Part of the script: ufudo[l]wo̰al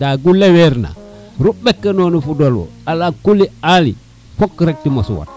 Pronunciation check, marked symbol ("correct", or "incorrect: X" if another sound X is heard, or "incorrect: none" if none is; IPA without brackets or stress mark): correct